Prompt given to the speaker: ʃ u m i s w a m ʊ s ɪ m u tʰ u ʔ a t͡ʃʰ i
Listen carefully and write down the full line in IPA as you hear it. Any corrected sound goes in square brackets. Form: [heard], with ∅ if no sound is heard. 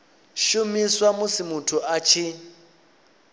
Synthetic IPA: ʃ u m i s w a m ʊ s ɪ m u tʰ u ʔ a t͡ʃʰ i